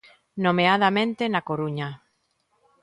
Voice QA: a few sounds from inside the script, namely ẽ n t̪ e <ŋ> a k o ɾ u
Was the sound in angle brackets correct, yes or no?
no